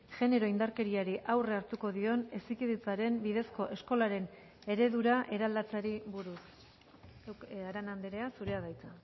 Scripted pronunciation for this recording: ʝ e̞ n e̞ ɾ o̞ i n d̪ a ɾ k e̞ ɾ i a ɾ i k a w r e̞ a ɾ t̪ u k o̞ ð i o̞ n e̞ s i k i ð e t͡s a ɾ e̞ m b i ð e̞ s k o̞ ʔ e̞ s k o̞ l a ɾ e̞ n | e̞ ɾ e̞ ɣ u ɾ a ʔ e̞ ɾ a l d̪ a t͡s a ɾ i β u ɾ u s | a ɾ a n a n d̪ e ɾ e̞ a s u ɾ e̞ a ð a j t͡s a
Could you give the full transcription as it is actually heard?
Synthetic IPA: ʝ e̞ n e̞ ɾ o̞ i n d̪ a ɾ k e̞ ɾ i a ɾ i ʔ a w r e̞ a ɾ t̪ u k o̞ ð i o̞ n e̞ s i k i ð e t͡s a ɾ e̞ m b i ð e̞ s k o̞ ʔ e̞ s k o̞ l a ɾ e̞ n | e̞ ɾ e̞ ð u ɾ a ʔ e̞ ɾ a l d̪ a t͡s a ɾ i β u ɾ u s | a ɾ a n a n d̪ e ɾ e̞ a s u ɾ e̞ a ð a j t͡s a